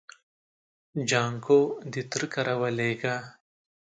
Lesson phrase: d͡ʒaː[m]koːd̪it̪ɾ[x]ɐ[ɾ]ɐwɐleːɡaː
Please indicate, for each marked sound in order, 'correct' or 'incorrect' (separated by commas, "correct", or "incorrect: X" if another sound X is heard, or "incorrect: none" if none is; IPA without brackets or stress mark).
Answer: incorrect: ŋ, incorrect: k, correct